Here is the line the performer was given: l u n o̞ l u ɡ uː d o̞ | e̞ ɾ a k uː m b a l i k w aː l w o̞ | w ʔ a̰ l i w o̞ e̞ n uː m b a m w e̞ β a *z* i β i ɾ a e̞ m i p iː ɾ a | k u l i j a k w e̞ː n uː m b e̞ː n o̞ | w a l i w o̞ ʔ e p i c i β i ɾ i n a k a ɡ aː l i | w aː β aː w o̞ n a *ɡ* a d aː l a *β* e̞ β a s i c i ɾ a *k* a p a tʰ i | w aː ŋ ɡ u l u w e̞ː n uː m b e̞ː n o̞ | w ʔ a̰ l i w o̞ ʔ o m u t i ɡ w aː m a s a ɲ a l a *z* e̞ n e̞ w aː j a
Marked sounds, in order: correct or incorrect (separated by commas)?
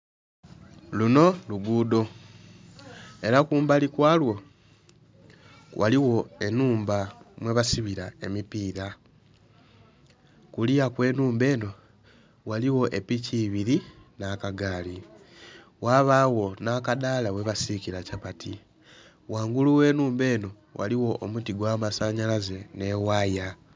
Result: incorrect, incorrect, incorrect, incorrect, correct